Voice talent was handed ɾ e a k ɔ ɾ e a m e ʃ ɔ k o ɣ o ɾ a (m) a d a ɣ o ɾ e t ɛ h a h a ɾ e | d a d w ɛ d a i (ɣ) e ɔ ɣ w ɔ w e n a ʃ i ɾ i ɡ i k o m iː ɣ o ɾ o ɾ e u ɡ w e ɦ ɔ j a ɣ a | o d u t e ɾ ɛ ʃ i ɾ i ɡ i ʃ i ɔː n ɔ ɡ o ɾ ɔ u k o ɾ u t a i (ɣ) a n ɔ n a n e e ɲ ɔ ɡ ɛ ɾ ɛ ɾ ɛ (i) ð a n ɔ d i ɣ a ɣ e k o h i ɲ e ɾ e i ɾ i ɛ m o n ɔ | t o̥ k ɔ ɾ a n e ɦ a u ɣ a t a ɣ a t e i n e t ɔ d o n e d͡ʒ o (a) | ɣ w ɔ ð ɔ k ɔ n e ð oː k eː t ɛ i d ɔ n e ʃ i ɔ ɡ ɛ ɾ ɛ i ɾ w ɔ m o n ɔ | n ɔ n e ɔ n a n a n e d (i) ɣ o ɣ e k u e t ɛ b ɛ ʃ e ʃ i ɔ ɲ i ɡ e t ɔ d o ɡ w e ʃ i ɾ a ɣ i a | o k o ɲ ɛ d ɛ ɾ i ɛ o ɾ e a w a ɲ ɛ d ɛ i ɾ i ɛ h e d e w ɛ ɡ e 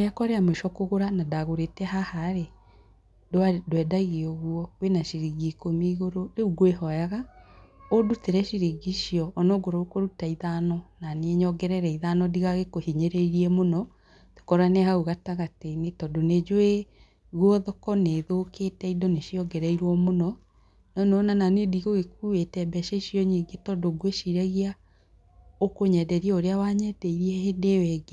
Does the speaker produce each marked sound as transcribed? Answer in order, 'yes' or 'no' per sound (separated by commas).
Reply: no, yes, no, yes, no, yes